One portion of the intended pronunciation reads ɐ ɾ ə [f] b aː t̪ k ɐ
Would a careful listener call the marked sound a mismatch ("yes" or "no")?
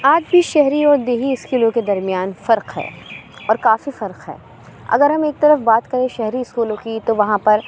no